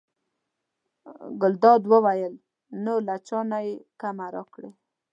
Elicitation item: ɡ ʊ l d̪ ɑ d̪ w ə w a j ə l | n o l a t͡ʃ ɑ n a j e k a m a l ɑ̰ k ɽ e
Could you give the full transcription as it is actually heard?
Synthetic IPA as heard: ɡ ʊ l d̪ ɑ d̪ w ə w a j ə l | n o l a t͡ʃ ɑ n a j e k a m a ɾ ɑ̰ k ɽ e